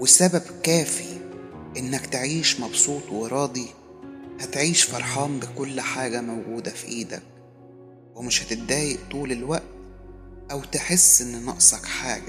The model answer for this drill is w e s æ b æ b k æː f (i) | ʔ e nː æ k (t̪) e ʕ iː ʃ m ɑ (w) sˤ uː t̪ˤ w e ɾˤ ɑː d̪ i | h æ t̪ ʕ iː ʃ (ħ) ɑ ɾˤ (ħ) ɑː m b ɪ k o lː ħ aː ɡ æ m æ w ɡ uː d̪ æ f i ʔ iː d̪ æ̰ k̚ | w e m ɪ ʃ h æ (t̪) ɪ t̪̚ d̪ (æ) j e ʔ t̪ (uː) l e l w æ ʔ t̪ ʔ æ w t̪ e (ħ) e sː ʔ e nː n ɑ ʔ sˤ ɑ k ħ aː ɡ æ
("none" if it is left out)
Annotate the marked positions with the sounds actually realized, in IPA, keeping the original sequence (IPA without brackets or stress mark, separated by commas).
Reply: i, t̪, b, f, ħ, t̪, æː, uː, ħ